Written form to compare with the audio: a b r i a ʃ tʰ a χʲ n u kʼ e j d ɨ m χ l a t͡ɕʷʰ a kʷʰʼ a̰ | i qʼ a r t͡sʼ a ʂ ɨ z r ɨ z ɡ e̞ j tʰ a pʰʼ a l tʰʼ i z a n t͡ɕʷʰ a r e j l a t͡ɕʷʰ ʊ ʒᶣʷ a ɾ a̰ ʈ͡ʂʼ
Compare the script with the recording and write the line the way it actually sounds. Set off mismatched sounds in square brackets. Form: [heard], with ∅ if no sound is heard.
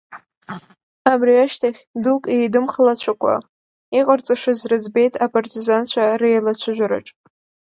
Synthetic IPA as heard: a b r i a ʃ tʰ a χʲ [d] u kʼ e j d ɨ m χ l a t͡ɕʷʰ a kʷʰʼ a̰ | i qʼ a r t͡sʼ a ʂ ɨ z r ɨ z [b] e̞ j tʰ a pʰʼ a [r] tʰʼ i z a n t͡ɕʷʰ a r e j l a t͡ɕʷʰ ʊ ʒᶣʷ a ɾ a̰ ʈ͡ʂʼ